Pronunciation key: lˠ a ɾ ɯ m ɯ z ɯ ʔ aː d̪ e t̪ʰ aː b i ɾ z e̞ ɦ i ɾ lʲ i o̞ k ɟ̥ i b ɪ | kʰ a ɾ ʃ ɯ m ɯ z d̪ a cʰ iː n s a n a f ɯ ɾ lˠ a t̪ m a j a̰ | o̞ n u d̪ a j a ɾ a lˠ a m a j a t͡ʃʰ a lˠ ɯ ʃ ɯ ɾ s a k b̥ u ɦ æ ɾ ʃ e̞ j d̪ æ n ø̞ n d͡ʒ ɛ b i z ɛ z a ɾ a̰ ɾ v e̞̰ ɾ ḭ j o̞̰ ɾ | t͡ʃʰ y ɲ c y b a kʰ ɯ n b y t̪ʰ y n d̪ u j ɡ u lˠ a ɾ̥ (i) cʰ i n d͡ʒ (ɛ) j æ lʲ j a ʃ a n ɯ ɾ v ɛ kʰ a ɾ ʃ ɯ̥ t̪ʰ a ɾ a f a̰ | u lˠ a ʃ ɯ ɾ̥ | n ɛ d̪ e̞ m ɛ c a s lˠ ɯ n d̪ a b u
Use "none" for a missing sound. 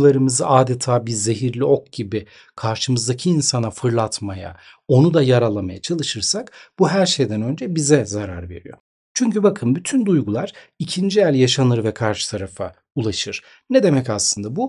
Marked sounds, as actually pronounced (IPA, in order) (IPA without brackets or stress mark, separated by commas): i, i